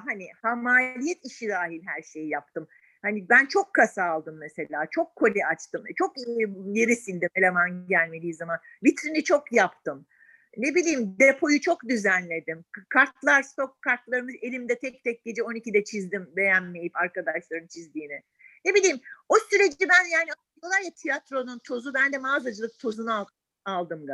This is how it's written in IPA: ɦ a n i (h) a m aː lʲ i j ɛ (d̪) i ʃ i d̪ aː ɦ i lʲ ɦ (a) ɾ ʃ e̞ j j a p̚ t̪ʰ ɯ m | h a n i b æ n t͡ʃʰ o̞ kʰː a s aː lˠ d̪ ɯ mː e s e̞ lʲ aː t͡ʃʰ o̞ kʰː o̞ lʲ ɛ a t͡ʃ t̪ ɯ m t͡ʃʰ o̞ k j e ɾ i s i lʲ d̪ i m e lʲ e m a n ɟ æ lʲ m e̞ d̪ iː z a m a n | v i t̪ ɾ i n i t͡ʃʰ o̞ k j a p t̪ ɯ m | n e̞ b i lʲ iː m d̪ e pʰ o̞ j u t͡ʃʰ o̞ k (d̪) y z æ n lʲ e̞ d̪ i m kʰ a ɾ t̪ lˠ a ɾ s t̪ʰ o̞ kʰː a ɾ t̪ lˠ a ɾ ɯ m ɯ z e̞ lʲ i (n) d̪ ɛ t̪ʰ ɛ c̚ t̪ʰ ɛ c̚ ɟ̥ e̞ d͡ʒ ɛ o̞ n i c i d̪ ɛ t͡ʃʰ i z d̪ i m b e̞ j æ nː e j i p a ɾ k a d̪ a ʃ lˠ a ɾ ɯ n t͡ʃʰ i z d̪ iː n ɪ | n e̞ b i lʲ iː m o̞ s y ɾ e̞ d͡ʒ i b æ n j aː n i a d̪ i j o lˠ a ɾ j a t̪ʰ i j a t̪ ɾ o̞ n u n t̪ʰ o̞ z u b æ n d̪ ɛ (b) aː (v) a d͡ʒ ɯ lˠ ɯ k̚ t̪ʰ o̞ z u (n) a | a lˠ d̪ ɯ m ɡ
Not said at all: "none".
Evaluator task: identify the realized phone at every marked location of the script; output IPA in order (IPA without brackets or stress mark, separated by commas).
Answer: h, t̪, æ, d̪, m, m, z, n